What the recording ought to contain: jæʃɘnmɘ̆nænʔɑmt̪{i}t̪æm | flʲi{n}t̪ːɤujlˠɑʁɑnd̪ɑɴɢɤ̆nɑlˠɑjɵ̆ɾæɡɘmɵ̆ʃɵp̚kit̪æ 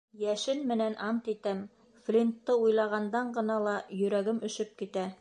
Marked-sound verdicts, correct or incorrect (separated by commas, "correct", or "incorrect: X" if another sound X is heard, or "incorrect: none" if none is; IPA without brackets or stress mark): correct, correct